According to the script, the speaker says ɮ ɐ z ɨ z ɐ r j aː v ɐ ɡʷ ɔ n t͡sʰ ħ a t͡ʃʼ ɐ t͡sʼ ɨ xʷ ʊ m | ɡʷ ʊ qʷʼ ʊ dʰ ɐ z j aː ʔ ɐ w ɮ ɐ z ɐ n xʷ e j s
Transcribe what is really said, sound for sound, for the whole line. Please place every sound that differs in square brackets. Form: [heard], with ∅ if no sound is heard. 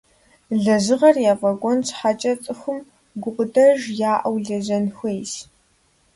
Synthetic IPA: ɮ ɐ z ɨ [ʁ] ɐ r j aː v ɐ ɡʷ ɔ n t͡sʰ ħ a t͡ʃʼ ɐ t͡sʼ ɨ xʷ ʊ m | ɡʷ ʊ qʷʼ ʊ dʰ ɐ [ʒ] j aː ʔ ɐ w ɮ ɐ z ɐ n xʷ e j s